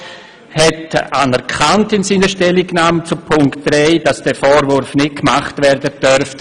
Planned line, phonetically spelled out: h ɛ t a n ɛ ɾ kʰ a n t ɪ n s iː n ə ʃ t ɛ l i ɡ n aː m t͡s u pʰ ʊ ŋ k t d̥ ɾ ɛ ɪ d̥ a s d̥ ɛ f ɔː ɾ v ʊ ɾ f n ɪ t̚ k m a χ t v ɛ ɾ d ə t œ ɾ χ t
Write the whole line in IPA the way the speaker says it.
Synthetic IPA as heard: h ɛ t a n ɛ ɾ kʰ a n t ɪ n s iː n ə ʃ t ɛ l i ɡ n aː m t͡s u pʰ ʊ ŋ k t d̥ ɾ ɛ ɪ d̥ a s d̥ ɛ f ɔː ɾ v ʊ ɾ f n ɪ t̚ k m a χ t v ɛ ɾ d ə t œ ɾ f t